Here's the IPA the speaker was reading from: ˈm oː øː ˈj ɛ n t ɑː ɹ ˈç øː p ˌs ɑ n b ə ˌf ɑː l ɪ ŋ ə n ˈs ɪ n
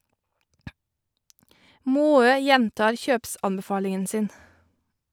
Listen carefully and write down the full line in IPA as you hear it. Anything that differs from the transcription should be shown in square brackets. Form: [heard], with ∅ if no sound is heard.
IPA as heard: ˈm oː øː ˈj ɛ n t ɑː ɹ ˈç øː p ˌs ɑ n b ə ˌf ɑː l ɪ ŋ ə n ˈs ɪ n